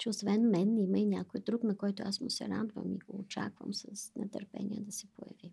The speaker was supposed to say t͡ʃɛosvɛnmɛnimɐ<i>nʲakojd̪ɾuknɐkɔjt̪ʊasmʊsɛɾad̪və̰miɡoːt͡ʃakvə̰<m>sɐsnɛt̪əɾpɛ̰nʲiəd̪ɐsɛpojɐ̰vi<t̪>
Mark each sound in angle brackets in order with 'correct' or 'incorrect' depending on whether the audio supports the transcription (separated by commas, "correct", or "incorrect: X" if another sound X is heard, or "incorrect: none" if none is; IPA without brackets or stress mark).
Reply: correct, correct, incorrect: none